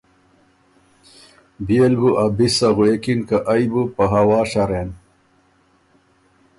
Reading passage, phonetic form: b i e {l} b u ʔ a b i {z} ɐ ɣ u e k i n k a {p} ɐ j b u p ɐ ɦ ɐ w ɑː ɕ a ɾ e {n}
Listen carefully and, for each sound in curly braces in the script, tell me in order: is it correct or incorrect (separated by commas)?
correct, incorrect, incorrect, correct